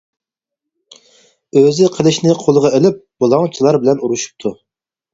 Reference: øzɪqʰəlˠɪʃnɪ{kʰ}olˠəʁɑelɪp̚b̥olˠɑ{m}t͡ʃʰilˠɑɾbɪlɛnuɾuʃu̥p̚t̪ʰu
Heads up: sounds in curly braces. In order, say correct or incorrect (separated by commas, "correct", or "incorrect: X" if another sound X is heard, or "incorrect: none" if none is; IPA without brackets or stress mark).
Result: incorrect: qʰ, incorrect: ŋ